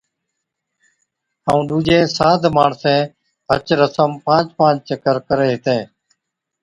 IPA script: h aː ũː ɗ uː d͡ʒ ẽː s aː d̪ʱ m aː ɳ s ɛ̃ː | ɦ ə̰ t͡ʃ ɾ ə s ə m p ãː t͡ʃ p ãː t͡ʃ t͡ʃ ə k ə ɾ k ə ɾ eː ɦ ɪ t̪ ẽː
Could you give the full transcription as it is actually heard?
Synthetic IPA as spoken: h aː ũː ɗ uː d͡ʒ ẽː s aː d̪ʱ m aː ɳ s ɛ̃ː | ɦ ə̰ t͡ʃ ɾ ə s ə m p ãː t͡ʃ p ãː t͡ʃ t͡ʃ ə k ə ɾ k ə ɾ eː ɦ ɪ t̪ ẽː